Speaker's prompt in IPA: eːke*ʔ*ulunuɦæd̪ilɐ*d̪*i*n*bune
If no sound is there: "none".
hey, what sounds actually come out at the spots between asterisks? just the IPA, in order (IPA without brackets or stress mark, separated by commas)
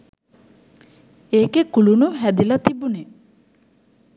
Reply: k, t̪, none